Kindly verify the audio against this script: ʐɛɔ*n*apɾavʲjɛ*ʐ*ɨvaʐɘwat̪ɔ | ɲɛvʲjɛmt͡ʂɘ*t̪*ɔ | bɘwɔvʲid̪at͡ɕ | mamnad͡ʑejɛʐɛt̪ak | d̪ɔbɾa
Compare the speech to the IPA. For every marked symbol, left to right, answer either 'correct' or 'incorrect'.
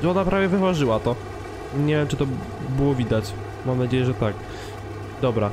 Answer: correct, incorrect: v, correct

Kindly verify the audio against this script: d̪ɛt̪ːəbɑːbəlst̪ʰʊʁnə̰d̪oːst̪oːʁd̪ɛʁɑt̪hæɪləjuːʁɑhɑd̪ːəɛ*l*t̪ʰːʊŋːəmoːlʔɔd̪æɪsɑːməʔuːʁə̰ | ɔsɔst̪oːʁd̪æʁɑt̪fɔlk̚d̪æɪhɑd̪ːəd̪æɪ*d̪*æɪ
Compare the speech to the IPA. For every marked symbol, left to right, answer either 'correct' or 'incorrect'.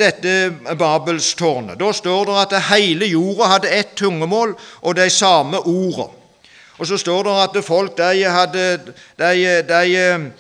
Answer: incorrect: none, correct

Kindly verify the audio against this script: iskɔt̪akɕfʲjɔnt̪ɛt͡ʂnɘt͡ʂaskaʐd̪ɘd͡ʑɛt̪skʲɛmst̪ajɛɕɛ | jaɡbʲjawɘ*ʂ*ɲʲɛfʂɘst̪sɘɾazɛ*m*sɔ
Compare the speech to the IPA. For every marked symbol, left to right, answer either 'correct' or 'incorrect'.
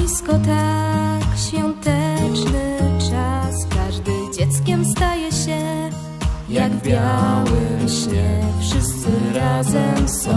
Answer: incorrect: ɕ, correct

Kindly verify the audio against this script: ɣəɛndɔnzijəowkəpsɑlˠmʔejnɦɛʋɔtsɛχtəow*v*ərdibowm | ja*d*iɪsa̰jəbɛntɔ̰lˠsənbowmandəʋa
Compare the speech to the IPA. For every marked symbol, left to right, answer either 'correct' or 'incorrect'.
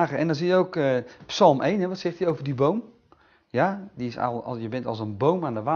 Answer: correct, correct

